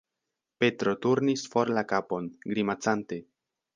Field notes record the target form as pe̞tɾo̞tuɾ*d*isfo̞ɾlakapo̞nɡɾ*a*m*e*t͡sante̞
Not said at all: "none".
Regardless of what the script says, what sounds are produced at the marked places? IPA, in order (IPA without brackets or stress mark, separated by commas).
n, i, a